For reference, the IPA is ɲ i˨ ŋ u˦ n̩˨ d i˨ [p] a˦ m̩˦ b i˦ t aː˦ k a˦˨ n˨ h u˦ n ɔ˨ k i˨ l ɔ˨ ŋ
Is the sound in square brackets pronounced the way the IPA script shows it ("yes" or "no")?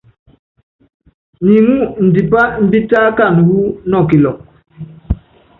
yes